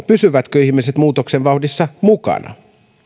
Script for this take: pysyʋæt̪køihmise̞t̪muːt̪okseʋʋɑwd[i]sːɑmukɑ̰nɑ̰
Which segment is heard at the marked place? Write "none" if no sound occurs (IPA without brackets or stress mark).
i